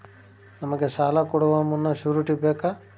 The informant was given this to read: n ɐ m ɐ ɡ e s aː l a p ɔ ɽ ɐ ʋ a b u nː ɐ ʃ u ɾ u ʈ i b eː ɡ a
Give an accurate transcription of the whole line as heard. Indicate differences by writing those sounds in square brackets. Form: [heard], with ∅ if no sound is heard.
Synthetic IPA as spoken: n ɐ m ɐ ɡ e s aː l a [k] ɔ ɽ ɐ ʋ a [m] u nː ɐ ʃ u ɾ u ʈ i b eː [k] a